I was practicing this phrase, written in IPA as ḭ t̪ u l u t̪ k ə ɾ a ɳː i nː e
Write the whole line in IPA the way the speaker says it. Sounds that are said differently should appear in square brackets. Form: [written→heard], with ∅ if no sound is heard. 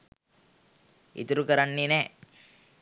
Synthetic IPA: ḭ t̪ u [l→ɾ] u [t̪→∅] k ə ɾ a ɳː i [nː→n] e